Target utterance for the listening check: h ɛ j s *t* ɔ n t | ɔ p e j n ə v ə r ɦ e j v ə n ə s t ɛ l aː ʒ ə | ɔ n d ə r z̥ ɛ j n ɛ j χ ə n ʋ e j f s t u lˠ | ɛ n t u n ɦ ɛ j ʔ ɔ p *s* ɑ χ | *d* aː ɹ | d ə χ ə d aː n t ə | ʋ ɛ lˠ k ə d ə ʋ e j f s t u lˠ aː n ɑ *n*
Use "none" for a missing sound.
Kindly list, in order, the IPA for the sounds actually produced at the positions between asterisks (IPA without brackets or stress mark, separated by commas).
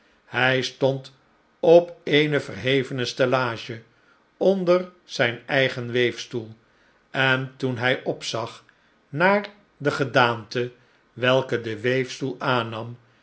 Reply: t, s, n, m